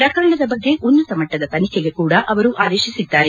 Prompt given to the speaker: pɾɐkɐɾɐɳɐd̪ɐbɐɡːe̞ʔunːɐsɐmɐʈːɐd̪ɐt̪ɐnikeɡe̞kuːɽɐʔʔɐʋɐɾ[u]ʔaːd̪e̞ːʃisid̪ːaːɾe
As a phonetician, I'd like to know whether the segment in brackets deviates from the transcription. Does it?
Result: no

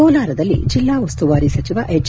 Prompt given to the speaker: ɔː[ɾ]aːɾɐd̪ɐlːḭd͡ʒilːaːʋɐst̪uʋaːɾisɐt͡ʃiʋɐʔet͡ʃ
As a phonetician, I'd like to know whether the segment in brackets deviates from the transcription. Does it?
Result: yes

